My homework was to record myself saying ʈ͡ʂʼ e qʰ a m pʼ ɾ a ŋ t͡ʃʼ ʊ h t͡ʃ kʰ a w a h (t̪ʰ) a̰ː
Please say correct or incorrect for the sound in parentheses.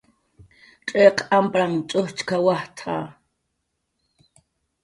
correct